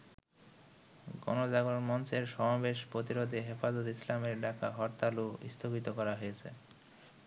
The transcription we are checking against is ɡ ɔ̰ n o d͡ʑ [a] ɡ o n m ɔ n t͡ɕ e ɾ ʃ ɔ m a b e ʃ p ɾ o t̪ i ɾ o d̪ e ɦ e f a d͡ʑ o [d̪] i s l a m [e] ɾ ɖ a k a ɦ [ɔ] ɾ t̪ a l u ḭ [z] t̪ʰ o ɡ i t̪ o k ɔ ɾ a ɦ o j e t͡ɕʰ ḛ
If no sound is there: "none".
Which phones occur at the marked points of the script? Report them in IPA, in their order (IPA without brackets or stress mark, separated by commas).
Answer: a, t̪, e, ɔ, s